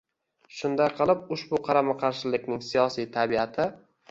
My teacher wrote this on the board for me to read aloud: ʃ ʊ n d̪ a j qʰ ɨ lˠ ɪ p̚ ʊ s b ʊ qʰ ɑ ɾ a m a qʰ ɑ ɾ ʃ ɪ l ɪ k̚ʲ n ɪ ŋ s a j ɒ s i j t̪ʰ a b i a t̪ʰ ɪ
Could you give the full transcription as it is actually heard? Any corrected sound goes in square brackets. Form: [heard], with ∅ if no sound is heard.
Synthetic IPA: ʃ ʊ n d̪ a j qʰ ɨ lˠ ɪ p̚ ʊ [ʃ] b ʊ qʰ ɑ ɾ a m a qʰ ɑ ɾ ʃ ɪ l ɪ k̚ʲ n ɪ ŋ s [i] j ɒ s i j t̪ʰ a b i a t̪ʰ ɪ